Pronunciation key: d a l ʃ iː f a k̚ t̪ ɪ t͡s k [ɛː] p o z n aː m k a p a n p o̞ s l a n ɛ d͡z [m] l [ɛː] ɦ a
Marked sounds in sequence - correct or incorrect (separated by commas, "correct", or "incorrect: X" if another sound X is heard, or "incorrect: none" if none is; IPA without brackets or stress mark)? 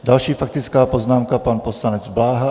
incorrect: aː, incorrect: b, incorrect: aː